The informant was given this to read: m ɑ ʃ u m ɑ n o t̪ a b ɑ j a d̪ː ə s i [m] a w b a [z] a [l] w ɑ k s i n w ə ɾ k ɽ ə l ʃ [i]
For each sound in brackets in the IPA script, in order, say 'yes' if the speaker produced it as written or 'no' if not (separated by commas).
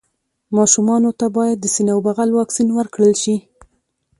no, no, yes, yes